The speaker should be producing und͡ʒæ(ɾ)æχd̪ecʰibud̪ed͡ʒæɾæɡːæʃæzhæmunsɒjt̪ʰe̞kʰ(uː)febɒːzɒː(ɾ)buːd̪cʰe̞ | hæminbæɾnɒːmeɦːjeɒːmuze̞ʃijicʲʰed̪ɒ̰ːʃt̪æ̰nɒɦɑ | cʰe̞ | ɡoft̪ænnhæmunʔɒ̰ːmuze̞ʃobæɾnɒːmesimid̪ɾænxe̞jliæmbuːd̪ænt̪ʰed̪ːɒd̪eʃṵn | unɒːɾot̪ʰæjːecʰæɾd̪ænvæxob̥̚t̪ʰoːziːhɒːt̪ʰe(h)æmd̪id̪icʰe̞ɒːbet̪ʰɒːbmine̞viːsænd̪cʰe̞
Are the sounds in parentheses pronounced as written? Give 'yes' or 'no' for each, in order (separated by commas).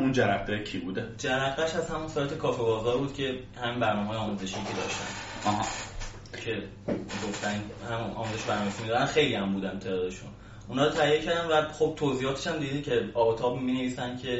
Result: yes, no, yes, no